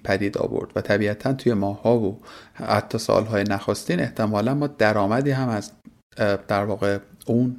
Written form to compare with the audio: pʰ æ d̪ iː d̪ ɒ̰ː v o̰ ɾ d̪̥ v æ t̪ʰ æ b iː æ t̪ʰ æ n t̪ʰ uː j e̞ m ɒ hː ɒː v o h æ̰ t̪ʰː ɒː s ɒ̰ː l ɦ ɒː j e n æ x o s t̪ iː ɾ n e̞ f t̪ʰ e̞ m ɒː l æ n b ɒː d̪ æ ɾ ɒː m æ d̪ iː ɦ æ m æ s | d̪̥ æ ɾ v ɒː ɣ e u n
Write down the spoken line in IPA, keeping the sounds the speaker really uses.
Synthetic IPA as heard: pʰ æ d̪ iː d̪ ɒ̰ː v o̰ ɾ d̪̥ v æ t̪ʰ æ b iː æ t̪ʰ æ n t̪ʰ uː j e̞ m ɒː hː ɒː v o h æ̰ t̪ʰː ɒː s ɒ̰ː l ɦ ɒː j e n æ x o s t̪ iː n e̞ h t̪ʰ e̞ m ɒː l æ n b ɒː d̪ æ ɾ ɒː m æ d̪ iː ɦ æ m æ z | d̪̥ æ ɾ v ɒː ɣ e u n